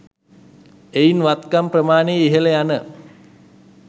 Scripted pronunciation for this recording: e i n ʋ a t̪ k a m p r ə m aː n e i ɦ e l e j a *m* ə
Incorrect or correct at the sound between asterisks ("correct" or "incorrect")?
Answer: incorrect